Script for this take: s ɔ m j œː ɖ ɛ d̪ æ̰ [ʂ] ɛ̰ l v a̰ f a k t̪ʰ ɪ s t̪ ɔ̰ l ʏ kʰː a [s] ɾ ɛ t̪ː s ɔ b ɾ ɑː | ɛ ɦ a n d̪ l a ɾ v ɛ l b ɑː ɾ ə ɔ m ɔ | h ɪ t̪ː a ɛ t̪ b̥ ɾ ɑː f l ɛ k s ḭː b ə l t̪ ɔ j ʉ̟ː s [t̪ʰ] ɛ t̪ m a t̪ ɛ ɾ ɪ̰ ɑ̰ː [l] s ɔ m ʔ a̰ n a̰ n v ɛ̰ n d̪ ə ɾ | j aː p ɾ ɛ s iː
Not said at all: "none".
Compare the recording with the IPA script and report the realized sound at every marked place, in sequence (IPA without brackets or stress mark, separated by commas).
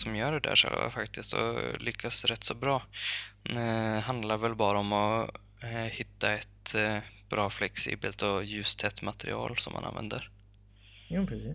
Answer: ʂ, s, t̪ʰ, l